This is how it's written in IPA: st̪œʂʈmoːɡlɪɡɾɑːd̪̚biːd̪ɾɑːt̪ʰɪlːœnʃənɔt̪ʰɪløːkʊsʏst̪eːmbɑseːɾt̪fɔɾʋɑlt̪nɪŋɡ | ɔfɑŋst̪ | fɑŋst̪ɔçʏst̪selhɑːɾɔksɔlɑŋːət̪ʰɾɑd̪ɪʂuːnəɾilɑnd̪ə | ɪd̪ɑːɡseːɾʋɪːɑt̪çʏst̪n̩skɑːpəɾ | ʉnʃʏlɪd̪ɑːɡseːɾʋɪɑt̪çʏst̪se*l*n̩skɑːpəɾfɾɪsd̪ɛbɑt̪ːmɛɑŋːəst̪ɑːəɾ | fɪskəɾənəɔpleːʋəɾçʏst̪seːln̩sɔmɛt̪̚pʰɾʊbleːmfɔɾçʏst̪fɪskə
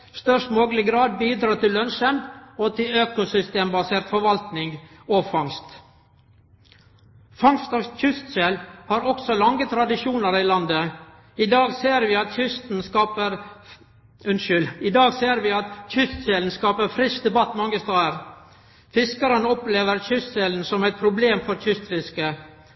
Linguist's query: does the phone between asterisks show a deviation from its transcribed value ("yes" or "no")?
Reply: no